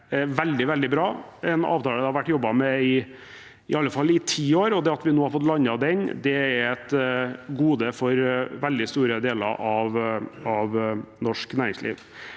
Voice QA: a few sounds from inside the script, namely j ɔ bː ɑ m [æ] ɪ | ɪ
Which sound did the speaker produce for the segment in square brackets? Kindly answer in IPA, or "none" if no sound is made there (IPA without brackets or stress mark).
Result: ɛ